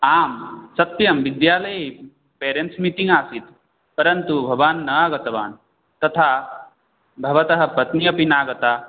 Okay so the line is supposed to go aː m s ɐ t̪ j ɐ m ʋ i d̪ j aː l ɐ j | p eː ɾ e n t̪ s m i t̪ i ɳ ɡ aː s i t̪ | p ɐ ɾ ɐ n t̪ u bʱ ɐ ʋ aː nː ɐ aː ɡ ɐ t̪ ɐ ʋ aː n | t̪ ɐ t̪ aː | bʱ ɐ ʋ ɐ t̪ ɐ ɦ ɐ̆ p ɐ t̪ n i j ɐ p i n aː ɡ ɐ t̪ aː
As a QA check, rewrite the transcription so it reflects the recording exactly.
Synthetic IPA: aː m s ɐ t̪ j ɐ m ʋ i d̪ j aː l ɐ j | p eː ɾ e n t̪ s m i t̪ i ŋ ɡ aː s i t̪ | p ɐ ɾ ɐ n t̪ u bʱ ɐ ʋ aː nː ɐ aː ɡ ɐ t̪ ɐ ʋ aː n | t̪ ɐ t̪ʰ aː | bʱ ɐ ʋ ɐ t̪ ɐ ɦ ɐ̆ p ɐ t̪ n i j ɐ p i n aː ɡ ɐ t̪ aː

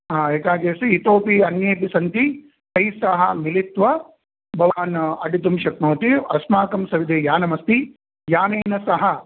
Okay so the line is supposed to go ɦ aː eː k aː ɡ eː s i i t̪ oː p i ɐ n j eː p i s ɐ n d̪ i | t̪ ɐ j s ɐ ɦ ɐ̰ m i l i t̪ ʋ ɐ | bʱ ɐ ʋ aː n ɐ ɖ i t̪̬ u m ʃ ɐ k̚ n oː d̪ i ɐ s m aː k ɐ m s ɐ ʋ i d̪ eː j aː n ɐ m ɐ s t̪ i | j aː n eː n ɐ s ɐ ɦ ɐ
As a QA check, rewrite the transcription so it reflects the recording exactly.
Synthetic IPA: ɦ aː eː k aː ɡ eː s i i t̪ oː p i ɐ n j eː p i s ɐ n t̪ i | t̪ ɐ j s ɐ ɦ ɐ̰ m i l i t̪ ʋ ɐ | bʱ ɐ ʋ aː n ɐ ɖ i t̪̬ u m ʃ ɐ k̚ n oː t̪ i ɐ s m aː k ɐ m s ɐ ʋ i d̪ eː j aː n ɐ m ɐ s t̪ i | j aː n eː n ɐ s ɐ ɦ ɐ

